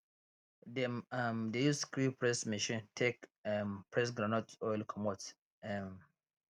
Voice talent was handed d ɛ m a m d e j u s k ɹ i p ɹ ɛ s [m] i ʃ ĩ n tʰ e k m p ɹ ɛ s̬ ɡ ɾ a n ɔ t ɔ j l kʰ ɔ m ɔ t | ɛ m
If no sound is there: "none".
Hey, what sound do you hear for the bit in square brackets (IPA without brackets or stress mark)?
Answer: m